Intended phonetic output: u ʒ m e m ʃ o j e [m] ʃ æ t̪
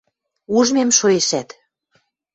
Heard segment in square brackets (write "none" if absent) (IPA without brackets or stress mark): none